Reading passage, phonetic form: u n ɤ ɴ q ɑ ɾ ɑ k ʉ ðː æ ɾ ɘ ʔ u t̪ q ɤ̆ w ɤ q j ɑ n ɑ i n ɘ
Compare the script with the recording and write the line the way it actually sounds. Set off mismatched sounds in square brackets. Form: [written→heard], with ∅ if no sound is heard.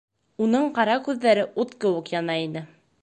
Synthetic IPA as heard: u n ɤ ɴ q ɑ ɾ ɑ k ʉ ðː æ ɾ ɘ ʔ u t̪ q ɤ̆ w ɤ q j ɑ n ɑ i n ɘ